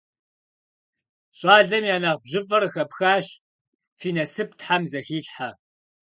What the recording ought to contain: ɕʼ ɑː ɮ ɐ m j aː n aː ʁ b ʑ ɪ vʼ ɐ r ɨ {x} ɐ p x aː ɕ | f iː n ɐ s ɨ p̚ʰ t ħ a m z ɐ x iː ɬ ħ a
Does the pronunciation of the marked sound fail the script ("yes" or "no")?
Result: no